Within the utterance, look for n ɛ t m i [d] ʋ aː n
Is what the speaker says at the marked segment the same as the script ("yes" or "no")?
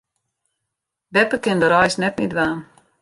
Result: yes